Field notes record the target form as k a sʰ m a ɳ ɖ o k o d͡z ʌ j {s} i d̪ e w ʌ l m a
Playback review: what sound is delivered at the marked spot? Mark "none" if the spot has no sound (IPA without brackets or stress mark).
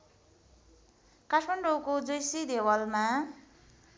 s